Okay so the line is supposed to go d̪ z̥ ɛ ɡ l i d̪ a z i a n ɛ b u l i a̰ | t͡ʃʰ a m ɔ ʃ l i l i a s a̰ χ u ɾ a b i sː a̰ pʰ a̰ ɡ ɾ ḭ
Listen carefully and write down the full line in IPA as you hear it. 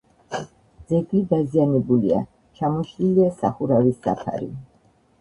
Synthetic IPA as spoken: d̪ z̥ ɛ ɡ l i d̪ a z i a n ɛ b u l i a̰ | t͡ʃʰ a m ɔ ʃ l i l i a s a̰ χ u ɾ a v i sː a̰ pʰ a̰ ɾ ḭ